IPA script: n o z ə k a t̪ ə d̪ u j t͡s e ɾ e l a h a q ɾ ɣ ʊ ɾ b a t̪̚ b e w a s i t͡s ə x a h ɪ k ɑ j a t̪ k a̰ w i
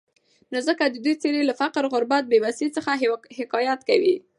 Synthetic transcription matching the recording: n o z ə k a d̪ ə d̪ u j t͡s e ɾ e l a f a q ɾ ɣ ʊ ɾ b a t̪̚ b e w a s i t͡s ə x a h ɪ k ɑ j a t̪ k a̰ w i